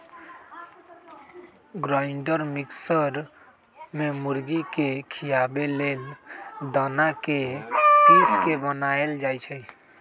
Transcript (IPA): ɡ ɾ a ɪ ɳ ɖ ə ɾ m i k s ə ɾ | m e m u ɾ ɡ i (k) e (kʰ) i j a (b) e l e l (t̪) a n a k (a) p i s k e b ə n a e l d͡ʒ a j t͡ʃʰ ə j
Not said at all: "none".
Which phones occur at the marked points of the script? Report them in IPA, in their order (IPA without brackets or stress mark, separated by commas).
k, kʰ, b, d̪, e